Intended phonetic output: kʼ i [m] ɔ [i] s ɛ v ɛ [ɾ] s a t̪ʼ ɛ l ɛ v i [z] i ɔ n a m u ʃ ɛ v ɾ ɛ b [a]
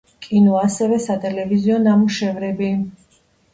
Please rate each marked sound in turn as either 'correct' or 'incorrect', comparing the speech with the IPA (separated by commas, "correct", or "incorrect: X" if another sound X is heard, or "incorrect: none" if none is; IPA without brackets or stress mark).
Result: incorrect: n, incorrect: a, incorrect: none, correct, incorrect: i